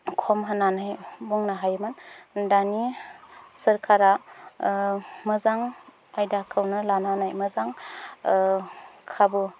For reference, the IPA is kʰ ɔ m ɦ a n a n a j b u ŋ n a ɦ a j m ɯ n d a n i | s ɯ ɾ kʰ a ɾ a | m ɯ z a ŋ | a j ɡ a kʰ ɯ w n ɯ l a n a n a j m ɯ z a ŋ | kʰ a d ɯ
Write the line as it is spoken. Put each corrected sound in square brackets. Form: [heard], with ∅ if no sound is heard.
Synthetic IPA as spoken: kʰ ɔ m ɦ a n a n a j b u ŋ n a ɦ a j m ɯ n d a n i | s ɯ ɾ kʰ a ɾ a | m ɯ z a ŋ | a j [d] a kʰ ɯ w n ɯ l a n a n a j m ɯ z a ŋ | kʰ a [b] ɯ